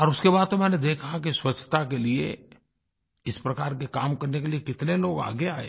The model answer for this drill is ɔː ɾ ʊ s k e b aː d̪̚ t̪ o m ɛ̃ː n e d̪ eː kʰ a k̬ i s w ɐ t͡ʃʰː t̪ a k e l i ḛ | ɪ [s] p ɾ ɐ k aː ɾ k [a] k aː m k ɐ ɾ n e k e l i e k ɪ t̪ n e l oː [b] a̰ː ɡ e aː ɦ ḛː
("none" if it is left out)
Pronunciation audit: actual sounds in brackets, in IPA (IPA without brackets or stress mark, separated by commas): s, e, ɡ